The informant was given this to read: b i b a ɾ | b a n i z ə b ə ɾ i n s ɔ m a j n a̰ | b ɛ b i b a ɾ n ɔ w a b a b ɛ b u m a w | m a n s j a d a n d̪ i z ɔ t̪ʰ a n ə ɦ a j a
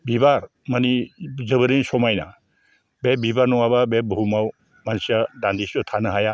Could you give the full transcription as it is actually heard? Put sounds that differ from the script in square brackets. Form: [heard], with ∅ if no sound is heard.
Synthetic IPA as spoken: b i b a ɾ | [m] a n i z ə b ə ɾ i n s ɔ m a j n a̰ | b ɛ b i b a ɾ n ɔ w a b a b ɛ b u m a w | m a n s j a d a n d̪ i [s] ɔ t̪ʰ a n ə ɦ a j a